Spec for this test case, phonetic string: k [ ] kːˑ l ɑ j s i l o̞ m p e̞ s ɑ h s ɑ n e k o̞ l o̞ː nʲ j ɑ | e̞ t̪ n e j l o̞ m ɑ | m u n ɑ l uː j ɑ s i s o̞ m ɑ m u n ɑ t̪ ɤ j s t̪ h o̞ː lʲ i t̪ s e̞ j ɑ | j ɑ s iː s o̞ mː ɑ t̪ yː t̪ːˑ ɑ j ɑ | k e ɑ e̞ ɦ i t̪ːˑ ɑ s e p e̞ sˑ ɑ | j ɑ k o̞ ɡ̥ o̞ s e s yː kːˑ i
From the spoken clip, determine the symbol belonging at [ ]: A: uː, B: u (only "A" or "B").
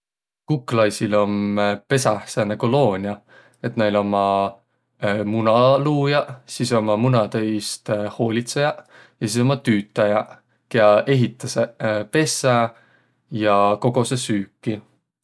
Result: B